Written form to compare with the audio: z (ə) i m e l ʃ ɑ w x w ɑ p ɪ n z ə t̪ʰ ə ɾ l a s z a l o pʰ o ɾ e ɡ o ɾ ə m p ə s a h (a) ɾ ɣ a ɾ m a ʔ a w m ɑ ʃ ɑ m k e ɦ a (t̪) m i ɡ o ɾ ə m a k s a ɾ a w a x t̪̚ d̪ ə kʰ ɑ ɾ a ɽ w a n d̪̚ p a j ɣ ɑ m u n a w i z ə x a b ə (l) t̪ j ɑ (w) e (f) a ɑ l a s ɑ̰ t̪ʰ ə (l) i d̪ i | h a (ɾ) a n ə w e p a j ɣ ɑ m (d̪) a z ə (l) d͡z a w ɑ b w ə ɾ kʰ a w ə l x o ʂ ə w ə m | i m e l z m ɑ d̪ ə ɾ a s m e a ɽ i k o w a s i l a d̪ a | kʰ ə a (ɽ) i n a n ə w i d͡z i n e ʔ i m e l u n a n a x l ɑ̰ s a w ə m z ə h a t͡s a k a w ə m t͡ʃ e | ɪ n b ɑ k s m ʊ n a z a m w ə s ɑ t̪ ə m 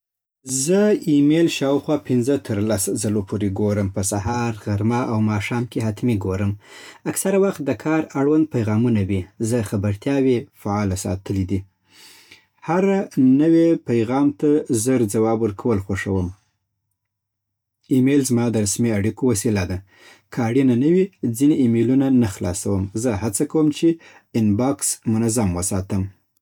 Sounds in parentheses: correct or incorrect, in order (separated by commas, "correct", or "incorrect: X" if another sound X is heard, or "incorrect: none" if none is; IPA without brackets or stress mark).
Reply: correct, incorrect: ɑ, correct, incorrect: ɾ, correct, correct, correct, correct, incorrect: t̪, incorrect: ɾ, correct